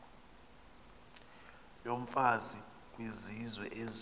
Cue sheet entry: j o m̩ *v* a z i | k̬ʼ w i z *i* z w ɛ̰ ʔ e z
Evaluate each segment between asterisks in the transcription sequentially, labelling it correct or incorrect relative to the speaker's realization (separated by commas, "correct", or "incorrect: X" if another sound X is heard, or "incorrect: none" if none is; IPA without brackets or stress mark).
incorrect: f, correct